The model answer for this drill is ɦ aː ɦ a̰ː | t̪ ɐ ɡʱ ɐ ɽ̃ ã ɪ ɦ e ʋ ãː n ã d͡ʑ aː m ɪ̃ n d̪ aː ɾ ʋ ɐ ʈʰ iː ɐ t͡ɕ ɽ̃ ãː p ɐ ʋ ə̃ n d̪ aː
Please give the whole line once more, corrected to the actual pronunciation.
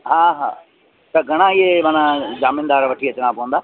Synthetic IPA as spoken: ɦ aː ɦ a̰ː | t̪ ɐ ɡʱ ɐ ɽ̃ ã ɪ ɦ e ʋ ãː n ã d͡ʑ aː m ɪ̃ n d̪ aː ɾ ʋ ɐ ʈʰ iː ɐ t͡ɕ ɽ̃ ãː p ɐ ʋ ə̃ n d̪ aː